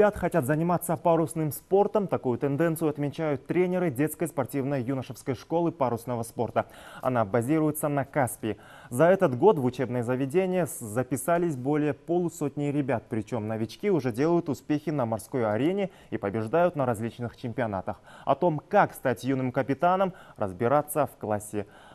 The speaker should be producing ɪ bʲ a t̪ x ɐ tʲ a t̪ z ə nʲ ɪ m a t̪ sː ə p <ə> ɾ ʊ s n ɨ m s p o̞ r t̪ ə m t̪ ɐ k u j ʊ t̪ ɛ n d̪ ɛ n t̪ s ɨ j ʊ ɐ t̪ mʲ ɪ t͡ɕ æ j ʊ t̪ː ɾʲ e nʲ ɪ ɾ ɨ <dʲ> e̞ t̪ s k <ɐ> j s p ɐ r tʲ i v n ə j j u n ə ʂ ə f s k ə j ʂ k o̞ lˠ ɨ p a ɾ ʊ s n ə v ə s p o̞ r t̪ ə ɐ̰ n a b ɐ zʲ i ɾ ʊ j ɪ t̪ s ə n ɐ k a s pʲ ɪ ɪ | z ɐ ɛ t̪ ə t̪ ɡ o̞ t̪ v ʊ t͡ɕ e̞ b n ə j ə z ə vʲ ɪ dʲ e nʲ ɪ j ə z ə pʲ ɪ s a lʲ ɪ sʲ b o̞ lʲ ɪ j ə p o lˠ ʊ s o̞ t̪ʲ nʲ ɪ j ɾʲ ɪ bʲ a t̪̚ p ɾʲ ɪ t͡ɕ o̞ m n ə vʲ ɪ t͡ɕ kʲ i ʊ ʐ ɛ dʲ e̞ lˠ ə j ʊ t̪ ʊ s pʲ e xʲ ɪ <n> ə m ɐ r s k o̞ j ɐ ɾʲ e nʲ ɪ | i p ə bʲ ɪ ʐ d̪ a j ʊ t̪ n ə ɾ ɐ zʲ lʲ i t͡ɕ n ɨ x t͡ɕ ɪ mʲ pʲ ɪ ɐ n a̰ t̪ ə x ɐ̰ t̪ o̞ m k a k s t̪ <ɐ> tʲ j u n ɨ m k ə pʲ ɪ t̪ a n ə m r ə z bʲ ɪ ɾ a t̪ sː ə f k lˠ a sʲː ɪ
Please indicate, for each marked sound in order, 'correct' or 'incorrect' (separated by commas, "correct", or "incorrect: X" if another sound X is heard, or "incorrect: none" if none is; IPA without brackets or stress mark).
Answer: incorrect: a, correct, incorrect: ə, correct, incorrect: a